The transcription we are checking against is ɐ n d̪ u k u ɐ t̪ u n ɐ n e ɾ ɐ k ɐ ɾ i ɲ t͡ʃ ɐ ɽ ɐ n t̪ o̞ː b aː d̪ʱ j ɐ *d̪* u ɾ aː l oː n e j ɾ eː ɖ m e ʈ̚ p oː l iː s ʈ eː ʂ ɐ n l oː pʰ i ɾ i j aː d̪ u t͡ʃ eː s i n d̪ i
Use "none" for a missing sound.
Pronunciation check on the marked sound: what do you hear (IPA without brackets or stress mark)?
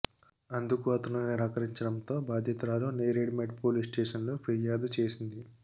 t̪